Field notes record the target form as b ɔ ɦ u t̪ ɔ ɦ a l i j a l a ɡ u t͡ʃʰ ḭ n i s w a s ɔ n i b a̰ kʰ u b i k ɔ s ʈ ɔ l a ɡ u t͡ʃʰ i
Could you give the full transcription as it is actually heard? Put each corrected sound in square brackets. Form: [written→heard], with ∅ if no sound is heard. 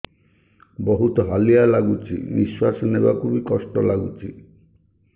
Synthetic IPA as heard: b ɔ ɦ u t̪ ɔ ɦ a l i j a l a ɡ u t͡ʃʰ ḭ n i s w a s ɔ n [i→e] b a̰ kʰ u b i k ɔ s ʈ ɔ l a ɡ u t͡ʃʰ i